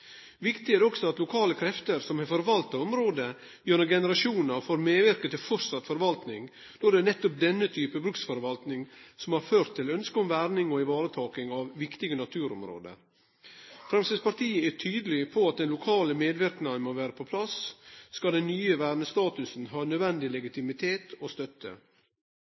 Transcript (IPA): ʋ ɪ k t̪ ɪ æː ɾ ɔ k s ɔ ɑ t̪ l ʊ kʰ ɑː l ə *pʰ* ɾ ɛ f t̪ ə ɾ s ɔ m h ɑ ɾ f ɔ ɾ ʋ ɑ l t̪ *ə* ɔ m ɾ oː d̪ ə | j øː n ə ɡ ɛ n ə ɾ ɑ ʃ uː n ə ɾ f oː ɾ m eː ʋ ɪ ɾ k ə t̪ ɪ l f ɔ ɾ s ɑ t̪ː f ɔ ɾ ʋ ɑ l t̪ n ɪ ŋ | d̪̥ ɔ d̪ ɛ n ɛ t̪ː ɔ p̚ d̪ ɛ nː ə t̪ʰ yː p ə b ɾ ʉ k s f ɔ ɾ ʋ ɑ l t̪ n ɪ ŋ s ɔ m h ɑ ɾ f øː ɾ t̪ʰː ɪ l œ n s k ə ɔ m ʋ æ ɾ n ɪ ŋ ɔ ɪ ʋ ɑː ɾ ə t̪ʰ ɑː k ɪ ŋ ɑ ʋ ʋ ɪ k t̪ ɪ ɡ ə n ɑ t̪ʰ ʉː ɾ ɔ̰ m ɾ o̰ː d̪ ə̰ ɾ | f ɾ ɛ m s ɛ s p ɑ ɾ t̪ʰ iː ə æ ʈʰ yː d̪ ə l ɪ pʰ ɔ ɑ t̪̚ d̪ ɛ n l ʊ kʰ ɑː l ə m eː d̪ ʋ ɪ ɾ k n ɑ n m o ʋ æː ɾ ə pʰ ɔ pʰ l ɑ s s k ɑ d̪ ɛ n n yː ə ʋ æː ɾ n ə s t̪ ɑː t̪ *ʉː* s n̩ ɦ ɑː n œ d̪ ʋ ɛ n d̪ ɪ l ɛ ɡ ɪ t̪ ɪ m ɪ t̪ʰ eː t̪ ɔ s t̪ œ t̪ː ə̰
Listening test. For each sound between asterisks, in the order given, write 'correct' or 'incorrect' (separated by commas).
incorrect, incorrect, incorrect